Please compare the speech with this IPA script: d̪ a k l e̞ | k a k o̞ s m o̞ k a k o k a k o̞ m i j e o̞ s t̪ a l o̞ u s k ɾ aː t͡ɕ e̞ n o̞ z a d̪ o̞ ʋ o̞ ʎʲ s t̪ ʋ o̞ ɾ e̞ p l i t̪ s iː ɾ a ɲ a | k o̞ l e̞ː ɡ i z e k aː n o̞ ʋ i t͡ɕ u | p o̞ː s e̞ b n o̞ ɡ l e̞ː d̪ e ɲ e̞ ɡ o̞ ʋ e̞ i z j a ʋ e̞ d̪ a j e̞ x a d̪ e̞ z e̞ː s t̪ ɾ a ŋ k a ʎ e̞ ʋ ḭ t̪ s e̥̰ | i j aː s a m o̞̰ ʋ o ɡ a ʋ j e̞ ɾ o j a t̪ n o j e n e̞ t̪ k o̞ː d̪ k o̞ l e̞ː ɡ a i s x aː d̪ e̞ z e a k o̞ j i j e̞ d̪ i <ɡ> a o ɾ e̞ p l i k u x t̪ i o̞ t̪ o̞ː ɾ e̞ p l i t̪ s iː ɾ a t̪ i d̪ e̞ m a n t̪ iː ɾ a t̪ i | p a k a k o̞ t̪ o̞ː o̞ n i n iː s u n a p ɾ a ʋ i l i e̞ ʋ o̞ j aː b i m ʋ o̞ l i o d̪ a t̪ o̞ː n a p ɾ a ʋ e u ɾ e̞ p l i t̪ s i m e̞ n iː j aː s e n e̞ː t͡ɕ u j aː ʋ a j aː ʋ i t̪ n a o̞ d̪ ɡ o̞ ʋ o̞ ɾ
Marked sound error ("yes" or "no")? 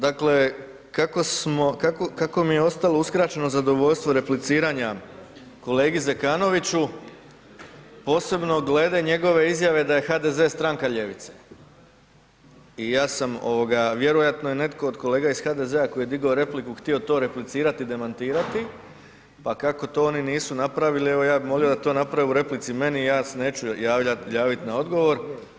no